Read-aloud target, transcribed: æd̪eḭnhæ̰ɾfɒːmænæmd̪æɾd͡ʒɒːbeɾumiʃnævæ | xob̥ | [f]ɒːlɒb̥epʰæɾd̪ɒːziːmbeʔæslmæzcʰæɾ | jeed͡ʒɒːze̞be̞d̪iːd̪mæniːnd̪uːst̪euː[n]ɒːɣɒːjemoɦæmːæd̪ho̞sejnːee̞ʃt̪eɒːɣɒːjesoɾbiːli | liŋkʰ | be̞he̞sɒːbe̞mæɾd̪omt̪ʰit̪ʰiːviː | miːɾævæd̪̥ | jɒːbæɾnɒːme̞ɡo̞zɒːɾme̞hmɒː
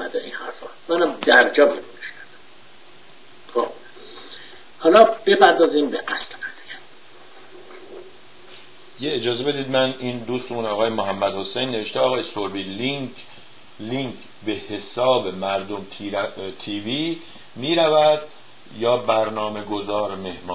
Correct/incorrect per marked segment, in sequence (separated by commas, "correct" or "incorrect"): incorrect, correct